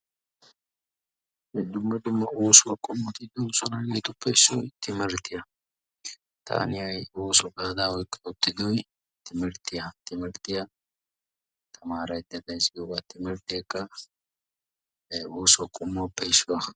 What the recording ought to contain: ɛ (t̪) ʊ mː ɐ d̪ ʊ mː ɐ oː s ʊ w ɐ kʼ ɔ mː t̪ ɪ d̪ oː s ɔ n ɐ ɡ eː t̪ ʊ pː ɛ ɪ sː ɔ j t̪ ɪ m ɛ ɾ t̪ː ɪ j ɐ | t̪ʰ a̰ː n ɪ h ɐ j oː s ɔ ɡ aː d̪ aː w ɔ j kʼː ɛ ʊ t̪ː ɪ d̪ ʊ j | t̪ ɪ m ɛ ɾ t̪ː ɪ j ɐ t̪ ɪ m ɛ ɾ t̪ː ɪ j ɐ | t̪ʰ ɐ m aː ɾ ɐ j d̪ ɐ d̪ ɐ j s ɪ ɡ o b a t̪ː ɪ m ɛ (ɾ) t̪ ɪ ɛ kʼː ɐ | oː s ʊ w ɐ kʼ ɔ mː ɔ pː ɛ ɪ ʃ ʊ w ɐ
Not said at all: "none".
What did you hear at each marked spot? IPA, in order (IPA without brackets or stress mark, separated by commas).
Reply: d̪, ɾ